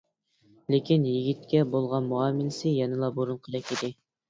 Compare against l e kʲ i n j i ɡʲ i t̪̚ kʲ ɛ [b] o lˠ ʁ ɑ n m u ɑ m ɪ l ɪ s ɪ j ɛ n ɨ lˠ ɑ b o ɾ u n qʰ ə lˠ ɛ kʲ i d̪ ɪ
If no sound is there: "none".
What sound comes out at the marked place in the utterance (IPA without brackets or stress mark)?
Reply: b